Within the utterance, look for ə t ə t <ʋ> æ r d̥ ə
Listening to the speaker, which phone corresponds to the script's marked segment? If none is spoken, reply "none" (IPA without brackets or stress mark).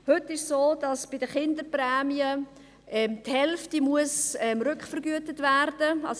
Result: v